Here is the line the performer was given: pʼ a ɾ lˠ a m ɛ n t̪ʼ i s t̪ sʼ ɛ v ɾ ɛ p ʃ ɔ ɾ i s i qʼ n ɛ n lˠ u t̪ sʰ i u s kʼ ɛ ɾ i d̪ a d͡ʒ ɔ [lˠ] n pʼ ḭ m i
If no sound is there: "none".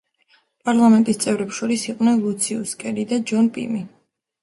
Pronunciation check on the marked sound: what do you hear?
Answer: none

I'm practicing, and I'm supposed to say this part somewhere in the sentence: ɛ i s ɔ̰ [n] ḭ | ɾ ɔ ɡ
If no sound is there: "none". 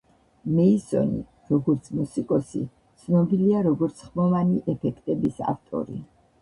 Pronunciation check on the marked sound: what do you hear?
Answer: n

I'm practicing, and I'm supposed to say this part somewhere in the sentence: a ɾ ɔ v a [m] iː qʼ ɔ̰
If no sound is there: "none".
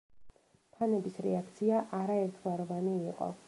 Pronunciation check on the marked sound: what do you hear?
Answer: n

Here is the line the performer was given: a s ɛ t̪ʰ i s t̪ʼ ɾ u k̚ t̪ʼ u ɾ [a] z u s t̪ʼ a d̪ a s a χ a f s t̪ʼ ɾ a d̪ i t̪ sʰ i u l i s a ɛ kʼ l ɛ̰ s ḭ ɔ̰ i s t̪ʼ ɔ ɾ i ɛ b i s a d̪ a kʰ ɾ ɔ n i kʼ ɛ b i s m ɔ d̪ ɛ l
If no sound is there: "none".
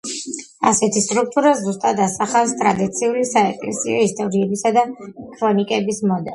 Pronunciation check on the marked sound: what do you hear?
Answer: a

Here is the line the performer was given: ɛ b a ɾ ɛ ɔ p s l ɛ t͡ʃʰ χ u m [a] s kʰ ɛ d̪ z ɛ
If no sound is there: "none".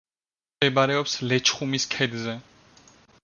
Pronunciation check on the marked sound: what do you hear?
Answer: i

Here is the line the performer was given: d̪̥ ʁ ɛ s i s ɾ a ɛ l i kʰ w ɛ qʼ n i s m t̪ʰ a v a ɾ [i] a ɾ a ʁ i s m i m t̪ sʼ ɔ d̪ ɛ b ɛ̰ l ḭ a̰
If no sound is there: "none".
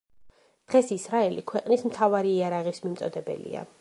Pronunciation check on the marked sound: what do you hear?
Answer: iː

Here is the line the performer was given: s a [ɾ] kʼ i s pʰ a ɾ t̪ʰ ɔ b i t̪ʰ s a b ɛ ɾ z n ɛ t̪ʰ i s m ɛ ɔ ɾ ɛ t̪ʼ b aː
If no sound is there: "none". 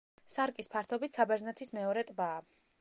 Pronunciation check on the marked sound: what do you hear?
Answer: ɾ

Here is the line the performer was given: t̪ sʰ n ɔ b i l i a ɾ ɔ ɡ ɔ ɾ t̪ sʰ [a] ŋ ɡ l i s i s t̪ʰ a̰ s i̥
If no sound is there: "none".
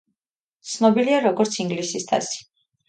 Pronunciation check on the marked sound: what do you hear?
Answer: i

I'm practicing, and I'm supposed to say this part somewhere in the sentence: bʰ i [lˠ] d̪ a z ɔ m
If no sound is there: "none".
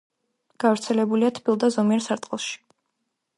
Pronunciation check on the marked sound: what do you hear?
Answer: lˠ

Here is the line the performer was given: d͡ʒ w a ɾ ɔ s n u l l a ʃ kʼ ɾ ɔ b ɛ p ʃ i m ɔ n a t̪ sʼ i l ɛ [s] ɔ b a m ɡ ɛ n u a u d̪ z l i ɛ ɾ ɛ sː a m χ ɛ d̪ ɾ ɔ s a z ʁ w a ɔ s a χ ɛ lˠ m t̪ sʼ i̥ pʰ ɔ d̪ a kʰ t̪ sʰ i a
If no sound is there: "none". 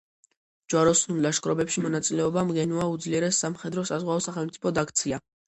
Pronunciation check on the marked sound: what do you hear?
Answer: none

